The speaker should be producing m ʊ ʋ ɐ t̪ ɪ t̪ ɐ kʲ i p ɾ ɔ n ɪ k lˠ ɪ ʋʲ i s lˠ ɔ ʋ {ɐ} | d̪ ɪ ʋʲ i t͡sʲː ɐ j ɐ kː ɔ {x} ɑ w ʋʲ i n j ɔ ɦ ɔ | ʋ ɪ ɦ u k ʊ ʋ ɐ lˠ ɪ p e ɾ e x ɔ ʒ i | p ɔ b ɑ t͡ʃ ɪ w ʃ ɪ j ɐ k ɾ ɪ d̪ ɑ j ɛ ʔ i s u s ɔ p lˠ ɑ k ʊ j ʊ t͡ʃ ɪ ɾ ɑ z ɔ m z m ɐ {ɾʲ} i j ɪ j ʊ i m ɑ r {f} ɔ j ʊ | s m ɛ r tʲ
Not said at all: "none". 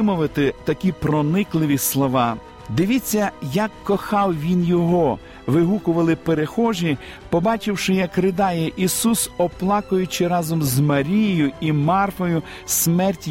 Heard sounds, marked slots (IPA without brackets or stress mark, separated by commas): ɑ, x, ɾʲ, f